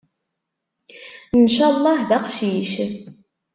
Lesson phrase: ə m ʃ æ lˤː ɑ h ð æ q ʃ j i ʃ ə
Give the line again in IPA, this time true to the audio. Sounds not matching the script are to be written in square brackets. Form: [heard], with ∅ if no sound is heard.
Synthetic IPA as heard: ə [n] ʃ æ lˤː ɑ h ð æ q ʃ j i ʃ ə